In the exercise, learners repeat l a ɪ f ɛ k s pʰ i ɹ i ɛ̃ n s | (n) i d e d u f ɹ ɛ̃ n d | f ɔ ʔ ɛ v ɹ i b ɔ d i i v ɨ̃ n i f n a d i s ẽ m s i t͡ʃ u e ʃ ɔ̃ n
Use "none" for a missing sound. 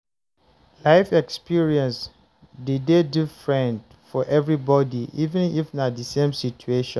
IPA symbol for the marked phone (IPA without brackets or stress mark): d